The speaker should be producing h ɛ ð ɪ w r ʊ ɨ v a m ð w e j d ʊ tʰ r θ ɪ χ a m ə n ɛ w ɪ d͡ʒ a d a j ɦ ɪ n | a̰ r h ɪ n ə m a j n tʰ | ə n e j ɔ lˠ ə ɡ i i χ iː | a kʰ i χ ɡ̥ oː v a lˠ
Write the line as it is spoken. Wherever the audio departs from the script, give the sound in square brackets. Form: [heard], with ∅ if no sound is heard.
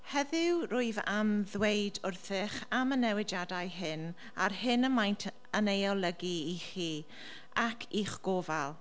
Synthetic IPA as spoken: h ɛ ð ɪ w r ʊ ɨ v a m ð w e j d ʊ [∅] r θ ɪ χ a m ə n ɛ w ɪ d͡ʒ a d a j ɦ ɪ n | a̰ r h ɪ n ə m a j n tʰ | ə n e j ɔ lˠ ə ɡ i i χ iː | a kʰ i χ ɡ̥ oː v a lˠ